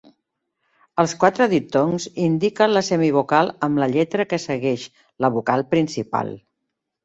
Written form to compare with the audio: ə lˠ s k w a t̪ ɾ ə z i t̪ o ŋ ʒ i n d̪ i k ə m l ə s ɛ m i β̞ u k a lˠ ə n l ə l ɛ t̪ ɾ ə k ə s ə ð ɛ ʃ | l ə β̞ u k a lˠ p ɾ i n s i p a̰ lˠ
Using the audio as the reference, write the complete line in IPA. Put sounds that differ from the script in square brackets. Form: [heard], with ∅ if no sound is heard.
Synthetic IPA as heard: ə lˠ s k w a t̪ ɾ ə [ð] i t̪ o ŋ [z] i n d̪ i k ə [n] l ə s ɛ m i β̞ u k a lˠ ə [m] l ə [ʎ] ɛ t̪ ɾ ə k ə s ə [ɣ] ɛ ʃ | l ə β̞ u k a lˠ p ɾ i n s i p a̰ lˠ